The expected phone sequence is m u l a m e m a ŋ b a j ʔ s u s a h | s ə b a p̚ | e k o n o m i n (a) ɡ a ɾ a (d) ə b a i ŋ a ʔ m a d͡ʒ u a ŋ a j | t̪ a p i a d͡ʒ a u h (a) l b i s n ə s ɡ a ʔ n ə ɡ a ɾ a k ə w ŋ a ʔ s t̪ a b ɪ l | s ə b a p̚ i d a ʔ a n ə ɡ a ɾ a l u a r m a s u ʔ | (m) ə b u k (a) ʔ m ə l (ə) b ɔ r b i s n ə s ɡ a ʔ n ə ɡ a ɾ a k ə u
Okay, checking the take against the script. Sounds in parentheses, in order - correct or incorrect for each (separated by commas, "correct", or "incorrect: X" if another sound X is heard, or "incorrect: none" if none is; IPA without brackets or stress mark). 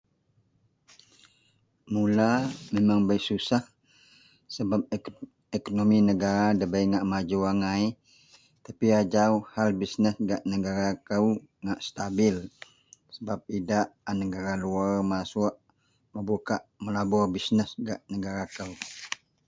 incorrect: ə, correct, correct, correct, correct, incorrect: a